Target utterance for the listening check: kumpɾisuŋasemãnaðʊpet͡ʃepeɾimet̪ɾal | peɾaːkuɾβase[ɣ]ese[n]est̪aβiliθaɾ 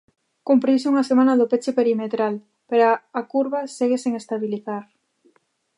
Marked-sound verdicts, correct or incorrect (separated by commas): correct, incorrect